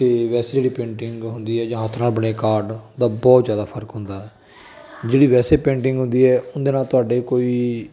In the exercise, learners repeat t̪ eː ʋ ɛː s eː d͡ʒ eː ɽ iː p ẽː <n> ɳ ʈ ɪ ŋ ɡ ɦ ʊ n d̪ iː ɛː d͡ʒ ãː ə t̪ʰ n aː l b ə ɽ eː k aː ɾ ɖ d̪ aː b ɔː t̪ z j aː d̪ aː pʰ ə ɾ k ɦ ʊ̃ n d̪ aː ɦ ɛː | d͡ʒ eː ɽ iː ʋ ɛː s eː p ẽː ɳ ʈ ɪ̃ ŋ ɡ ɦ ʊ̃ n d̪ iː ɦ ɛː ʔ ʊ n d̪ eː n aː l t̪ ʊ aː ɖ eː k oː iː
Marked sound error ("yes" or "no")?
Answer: yes